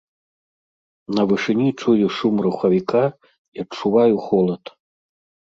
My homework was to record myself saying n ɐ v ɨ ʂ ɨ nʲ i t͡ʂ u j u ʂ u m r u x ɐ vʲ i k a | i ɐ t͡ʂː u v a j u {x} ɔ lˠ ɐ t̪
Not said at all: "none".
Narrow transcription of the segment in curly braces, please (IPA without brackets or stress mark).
x